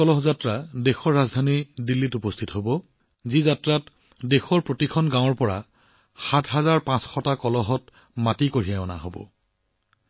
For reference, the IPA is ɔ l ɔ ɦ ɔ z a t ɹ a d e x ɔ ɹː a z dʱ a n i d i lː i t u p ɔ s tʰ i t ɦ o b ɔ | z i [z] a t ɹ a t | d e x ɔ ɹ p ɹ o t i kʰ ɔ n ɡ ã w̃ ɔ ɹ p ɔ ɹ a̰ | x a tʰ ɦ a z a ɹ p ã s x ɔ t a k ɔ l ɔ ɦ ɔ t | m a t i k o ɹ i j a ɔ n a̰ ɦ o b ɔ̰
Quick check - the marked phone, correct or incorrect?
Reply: correct